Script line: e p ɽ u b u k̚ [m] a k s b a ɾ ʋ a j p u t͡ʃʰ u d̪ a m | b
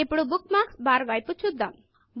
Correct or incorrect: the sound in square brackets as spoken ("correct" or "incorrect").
correct